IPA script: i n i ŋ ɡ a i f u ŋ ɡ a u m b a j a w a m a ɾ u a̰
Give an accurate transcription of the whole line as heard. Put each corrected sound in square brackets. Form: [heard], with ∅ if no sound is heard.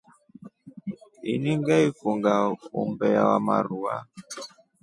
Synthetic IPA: i n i ŋ ɡ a i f u ŋ ɡ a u m b [ɛ] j a w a m a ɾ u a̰

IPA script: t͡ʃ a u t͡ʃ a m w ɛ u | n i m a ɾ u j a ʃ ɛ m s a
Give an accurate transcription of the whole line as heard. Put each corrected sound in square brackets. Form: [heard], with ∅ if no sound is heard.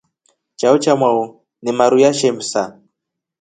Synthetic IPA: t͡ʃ a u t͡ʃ a m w [a] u | n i m a ɾ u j a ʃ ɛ m s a

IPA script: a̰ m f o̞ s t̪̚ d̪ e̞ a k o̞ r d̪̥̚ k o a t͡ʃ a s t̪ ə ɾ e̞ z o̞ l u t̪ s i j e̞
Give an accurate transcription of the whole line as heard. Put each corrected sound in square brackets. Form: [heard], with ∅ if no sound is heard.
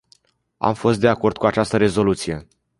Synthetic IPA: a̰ m f o̞ s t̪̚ d̪ e̞ a k o̞ r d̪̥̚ k [u] a t͡ʃ a s t̪ ə ɾ e̞ z o̞ l u t̪ s i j e̞

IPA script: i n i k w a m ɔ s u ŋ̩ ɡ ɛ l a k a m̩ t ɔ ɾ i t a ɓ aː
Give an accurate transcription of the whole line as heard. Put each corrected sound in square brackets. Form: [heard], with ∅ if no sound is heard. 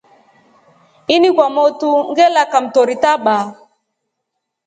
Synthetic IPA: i n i k w a m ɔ [t] u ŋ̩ ɡ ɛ l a k a m̩ t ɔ ɾ i t a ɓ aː

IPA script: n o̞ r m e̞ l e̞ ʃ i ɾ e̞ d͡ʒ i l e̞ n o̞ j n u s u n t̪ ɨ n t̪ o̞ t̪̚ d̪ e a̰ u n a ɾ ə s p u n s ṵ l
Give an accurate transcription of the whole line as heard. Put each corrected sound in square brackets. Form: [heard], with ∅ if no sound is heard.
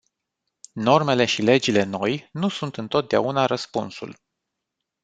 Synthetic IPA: n o̞ r m e̞ l e̞ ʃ i [l] e̞ d͡ʒ i l e̞ n o̞ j n u s u n t̪ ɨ n t̪ o̞ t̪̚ d̪ e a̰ u n a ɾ ə s p u n s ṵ l

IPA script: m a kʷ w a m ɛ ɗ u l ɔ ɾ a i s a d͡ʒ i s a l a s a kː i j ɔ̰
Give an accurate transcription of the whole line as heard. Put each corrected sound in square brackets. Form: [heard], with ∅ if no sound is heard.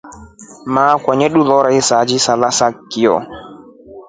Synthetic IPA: m a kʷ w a [ɲ] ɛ ɗ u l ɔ ɾ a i s a d͡ʒ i s a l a s a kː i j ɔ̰

